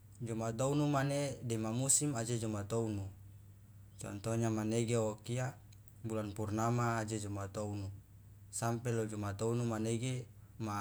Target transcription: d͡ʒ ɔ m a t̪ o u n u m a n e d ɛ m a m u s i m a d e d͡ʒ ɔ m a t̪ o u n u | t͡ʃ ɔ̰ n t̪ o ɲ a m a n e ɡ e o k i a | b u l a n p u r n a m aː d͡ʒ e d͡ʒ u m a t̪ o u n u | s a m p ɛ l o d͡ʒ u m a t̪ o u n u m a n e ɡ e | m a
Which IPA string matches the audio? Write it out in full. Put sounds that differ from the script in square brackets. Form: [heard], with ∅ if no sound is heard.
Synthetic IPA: d͡ʒ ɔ m a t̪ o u n u m a n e d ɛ m a m u s i m a [d͡ʒ] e d͡ʒ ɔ m a t̪ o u n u | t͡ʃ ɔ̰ n t̪ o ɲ a m a n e ɡ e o k i a | b u l a n p u r n a m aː d͡ʒ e d͡ʒ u m a t̪ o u n u | s a m p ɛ l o d͡ʒ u m a t̪ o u n u m a n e ɡ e | m a